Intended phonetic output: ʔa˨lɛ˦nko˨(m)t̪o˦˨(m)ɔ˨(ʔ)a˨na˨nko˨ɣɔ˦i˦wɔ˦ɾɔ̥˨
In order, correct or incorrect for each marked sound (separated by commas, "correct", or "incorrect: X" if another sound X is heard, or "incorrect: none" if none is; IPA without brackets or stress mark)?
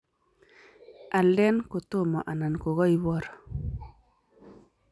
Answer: incorrect: none, correct, correct